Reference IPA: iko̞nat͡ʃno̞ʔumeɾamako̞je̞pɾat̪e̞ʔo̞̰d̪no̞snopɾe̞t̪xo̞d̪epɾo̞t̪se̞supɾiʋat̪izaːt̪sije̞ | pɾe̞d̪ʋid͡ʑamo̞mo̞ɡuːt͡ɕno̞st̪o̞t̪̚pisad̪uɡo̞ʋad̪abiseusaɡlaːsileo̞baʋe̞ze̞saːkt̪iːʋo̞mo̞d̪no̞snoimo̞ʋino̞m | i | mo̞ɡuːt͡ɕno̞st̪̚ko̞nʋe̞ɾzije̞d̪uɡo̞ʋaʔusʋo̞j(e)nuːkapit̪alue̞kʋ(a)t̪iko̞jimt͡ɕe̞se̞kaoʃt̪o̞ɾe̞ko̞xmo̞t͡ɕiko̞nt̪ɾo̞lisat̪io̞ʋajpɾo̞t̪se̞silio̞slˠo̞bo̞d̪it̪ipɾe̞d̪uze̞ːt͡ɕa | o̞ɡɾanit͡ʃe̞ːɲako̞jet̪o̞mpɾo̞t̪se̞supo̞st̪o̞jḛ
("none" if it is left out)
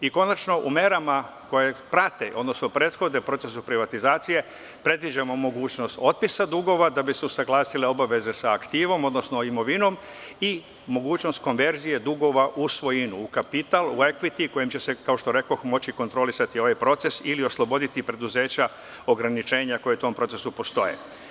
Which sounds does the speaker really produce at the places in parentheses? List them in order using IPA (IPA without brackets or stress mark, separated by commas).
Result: i, i